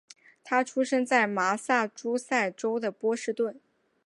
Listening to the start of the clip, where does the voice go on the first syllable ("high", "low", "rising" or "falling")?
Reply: high